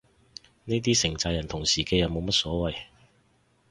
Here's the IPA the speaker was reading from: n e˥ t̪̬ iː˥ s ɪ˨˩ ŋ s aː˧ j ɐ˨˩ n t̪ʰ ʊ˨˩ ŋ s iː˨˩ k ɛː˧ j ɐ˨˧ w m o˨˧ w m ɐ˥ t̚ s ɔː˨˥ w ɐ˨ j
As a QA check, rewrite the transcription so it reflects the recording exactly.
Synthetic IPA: n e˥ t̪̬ iː˥ s ɪ˨˩ ŋ t͡s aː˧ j ɐ˨˩ n t̪ʰ ʊ˨˩ ŋ s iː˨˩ k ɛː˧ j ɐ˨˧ w m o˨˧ w m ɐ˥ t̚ s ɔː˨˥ w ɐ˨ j